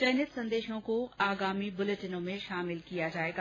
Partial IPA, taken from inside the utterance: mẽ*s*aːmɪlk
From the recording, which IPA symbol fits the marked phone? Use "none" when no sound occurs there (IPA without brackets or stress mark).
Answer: ʃ